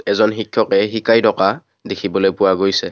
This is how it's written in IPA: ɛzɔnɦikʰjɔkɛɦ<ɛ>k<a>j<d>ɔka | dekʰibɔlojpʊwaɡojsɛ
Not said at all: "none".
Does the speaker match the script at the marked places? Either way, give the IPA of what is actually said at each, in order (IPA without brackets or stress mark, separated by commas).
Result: i, a, d